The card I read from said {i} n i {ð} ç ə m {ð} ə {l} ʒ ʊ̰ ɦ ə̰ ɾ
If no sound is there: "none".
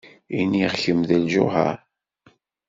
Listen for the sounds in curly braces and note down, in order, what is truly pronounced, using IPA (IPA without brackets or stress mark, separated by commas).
i, ʁ, ð, l